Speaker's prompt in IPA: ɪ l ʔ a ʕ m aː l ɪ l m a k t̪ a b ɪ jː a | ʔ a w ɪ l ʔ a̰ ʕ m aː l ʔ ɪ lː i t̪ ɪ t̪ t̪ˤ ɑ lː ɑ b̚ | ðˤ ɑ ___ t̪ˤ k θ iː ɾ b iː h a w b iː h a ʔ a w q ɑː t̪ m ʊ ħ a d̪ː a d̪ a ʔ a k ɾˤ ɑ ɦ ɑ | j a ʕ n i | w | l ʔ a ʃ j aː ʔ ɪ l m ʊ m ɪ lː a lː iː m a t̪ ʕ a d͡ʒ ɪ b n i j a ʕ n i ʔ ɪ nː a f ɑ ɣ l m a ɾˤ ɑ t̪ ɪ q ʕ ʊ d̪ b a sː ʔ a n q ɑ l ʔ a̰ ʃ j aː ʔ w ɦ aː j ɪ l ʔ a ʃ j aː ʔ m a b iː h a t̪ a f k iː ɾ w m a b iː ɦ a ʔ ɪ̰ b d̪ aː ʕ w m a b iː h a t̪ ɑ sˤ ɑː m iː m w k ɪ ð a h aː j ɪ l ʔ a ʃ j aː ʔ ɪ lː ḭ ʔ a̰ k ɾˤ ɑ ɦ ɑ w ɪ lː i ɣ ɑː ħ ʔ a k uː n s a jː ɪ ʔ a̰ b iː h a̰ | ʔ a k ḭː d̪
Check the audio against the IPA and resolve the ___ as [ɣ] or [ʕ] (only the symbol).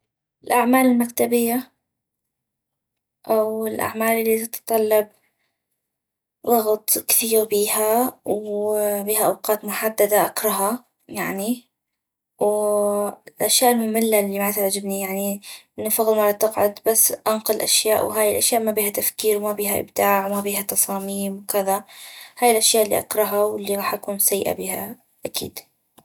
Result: ɣ